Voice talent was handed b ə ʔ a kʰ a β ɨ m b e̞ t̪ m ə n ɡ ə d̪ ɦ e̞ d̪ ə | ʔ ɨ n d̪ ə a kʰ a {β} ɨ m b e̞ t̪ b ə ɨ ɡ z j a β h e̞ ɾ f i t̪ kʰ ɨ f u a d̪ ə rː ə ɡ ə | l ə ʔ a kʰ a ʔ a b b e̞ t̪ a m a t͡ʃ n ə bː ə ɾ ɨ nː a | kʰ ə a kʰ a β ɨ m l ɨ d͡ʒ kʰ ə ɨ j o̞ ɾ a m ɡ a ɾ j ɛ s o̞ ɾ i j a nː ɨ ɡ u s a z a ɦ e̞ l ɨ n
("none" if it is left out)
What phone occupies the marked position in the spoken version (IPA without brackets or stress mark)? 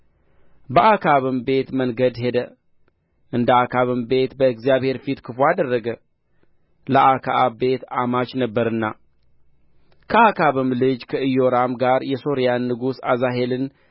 β